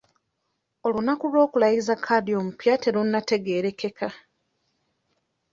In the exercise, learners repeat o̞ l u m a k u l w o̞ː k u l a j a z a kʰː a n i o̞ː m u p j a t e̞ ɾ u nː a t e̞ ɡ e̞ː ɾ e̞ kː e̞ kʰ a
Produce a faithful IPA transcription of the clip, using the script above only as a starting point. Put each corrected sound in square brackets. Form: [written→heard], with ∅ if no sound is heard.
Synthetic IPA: o̞ l u [m→n] a k u l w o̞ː k u l a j [a→i] z a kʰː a [n→d] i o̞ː m u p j a t e̞ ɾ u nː a t e̞ ɡ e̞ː ɾ e̞ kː e̞ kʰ a